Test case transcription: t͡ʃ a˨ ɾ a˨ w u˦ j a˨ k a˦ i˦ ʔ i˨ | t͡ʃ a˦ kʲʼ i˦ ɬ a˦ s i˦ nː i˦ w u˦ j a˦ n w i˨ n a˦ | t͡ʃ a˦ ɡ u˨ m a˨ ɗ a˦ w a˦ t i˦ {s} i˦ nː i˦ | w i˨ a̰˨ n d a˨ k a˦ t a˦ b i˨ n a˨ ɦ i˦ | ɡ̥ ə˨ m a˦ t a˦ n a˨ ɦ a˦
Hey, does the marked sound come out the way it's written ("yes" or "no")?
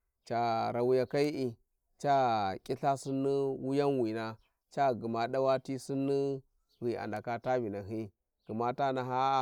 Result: yes